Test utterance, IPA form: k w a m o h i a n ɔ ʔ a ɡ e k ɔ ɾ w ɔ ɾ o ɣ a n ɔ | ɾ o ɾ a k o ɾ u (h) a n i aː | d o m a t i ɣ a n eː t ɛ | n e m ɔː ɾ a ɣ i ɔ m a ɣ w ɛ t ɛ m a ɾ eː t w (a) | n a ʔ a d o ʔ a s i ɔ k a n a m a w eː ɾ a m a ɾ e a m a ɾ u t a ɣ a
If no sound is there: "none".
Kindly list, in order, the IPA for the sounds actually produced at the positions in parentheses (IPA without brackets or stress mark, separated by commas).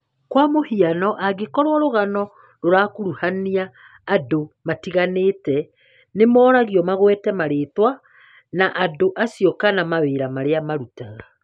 h, a